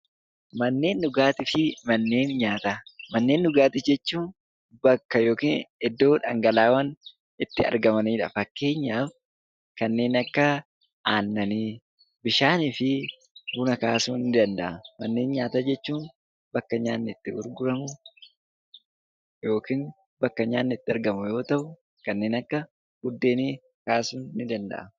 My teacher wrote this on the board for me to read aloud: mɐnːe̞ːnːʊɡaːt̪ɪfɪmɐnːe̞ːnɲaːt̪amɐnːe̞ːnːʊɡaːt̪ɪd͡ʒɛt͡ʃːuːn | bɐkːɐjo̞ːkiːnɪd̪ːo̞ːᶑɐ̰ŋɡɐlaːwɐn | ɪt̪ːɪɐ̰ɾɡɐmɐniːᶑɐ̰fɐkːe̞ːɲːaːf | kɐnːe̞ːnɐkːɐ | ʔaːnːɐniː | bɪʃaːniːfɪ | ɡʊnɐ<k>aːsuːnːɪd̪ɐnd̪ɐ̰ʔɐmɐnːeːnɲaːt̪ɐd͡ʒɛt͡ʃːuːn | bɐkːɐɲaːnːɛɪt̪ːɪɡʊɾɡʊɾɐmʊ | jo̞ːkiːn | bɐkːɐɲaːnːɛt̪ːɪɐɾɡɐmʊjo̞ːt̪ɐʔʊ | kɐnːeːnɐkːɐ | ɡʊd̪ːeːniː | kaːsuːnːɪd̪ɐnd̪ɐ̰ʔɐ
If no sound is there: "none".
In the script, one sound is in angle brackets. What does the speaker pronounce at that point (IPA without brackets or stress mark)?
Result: k